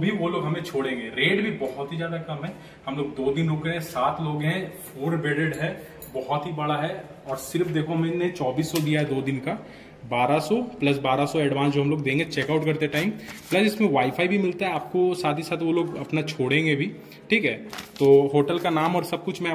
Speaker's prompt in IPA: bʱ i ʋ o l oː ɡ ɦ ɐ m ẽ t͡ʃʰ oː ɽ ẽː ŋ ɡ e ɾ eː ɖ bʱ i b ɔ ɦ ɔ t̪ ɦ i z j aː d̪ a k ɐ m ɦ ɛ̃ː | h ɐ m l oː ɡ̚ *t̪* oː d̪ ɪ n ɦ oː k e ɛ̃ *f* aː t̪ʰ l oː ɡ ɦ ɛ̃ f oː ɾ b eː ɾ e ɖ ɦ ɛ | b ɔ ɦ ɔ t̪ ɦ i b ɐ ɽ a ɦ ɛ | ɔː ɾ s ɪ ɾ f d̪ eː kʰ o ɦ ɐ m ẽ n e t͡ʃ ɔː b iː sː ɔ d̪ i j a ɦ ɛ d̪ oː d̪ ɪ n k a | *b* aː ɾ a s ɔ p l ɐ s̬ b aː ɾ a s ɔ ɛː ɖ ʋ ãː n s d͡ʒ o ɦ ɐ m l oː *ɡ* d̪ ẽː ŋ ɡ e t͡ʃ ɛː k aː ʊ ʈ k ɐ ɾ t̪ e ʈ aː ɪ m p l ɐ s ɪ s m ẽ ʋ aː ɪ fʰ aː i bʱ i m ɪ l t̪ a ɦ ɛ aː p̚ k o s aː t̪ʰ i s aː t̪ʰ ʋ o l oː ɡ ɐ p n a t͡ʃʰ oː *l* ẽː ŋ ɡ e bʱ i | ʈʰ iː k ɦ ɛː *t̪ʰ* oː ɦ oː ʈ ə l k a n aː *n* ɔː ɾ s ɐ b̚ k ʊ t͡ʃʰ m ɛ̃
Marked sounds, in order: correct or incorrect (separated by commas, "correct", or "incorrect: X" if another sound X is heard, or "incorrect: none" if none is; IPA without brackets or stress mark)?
incorrect: d̪, incorrect: s, correct, correct, incorrect: ɽ, incorrect: t̪, incorrect: m